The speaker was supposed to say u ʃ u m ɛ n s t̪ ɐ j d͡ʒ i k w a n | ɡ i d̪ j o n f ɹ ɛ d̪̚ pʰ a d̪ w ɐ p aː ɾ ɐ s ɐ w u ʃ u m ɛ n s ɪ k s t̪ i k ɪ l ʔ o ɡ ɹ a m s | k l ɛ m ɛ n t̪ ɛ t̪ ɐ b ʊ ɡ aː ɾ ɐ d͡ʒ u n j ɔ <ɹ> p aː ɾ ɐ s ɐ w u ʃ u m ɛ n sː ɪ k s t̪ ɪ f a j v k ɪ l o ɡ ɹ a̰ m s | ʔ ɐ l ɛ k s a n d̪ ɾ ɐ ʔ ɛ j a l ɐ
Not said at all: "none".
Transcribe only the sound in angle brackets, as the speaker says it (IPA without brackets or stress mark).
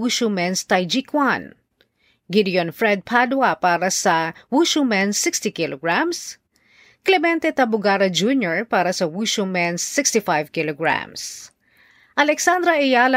ɹ